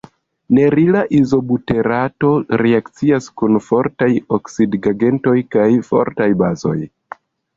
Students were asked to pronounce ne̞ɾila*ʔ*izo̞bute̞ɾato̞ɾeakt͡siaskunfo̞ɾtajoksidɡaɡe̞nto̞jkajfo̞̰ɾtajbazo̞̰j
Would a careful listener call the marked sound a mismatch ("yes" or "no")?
no